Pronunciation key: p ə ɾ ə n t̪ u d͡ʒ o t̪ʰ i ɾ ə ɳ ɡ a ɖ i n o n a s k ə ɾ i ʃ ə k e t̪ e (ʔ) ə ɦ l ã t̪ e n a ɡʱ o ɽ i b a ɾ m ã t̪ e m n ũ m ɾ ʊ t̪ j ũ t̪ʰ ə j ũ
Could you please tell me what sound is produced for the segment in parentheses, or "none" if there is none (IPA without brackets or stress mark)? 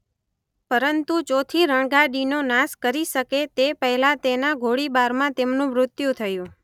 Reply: p